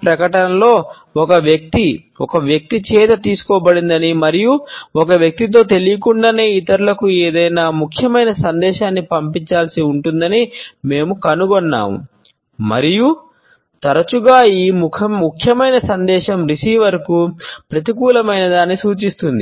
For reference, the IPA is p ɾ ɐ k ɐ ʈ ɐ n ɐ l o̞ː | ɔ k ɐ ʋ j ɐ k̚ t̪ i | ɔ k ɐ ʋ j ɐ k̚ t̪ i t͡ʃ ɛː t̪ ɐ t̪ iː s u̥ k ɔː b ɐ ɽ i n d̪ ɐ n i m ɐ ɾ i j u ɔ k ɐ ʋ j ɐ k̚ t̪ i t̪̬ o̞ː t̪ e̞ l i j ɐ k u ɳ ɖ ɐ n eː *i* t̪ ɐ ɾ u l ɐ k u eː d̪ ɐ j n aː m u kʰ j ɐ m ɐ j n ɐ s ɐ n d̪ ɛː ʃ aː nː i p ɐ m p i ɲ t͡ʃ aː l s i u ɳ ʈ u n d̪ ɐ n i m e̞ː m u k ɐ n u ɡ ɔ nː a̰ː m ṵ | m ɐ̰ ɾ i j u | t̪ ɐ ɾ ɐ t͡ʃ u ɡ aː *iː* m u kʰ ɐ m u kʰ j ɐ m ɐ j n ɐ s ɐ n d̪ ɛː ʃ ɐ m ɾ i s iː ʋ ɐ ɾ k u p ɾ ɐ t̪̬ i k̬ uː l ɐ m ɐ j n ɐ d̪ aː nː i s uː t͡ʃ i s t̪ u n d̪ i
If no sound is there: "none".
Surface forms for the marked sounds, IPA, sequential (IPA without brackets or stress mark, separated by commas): i, iː